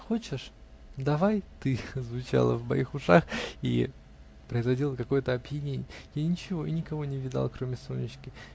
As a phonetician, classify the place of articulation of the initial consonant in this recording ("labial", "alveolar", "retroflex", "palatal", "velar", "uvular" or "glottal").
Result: velar